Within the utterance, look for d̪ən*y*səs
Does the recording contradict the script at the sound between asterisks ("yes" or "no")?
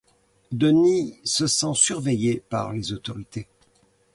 yes